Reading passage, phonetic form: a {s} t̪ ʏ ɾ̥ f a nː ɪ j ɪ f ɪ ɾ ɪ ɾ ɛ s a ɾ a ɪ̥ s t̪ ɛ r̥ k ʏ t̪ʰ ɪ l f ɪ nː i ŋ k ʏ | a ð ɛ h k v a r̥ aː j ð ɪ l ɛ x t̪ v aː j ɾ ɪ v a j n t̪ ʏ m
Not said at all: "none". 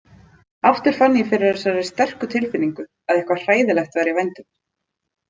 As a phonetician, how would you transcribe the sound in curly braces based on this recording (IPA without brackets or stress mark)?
f